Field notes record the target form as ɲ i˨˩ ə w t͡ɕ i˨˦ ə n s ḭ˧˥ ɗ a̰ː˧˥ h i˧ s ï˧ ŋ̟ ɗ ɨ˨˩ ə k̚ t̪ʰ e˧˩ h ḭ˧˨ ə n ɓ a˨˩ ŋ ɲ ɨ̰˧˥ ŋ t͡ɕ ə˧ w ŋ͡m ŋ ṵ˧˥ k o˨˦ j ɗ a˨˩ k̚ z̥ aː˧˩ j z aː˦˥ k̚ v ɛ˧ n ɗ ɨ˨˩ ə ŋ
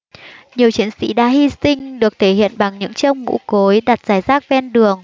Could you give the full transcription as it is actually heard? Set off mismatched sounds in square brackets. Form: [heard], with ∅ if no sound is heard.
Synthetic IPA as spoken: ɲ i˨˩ ə w t͡ɕ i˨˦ ə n s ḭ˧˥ ɗ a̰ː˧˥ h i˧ s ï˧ ŋ̟ ɗ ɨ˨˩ ə k̚ t̪ʰ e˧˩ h ḭ˧˨ ə n ɓ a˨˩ ŋ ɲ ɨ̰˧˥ ŋ t͡ɕ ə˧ w ŋ͡m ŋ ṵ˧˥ k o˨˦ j ɗ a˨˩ [t̚] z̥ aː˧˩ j z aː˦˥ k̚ v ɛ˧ n ɗ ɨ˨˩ ə ŋ